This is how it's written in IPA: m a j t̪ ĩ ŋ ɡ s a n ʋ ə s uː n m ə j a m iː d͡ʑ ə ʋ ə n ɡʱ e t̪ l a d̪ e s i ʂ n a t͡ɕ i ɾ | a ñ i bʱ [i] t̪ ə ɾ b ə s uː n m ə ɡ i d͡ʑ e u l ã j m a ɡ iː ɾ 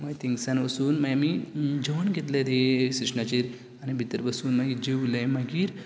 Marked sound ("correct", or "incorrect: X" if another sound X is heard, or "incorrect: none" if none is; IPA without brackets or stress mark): correct